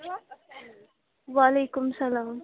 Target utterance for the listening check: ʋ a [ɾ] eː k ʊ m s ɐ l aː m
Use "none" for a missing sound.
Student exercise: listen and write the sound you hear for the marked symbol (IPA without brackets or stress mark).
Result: l